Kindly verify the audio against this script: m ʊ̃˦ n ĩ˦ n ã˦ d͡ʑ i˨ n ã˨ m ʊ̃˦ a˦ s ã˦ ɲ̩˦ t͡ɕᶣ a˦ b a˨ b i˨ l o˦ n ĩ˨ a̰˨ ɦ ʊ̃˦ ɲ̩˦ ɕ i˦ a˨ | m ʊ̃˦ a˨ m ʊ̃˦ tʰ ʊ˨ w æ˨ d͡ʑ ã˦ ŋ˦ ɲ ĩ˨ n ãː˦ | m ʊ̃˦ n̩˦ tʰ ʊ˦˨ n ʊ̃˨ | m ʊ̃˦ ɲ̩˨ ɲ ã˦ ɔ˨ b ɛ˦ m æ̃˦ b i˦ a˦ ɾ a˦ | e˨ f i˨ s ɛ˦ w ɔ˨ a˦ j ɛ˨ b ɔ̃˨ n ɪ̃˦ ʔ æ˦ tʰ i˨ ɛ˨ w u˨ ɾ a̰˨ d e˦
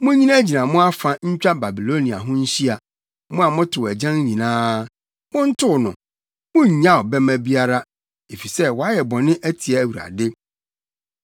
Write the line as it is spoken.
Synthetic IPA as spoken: m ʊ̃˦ ɲ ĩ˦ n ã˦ d͡ʑ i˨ n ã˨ m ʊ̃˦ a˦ f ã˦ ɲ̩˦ t͡ɕᶣ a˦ b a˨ b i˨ l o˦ n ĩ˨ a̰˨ ɦ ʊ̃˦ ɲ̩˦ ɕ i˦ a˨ | m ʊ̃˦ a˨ m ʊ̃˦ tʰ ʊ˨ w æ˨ d͡ʑ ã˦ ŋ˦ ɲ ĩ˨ n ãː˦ | m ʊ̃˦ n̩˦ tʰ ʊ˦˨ n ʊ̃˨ | m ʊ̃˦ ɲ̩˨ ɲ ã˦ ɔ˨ b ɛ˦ m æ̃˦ b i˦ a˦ ɾ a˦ | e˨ f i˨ s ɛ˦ w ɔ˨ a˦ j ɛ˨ b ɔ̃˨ n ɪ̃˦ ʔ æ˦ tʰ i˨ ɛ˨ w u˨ ɾ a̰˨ d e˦